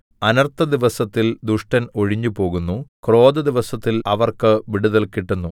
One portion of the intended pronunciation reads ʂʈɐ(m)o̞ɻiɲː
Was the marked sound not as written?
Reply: yes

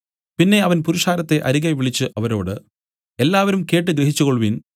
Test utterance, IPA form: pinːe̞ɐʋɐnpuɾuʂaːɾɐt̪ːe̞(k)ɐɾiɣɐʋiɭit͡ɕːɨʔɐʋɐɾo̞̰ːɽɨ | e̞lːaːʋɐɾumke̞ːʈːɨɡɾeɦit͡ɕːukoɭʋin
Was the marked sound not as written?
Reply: yes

